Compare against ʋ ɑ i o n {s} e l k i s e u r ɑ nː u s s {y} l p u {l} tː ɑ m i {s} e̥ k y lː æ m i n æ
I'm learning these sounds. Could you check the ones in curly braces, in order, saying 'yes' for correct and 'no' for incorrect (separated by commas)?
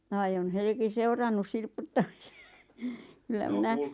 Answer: no, no, no, yes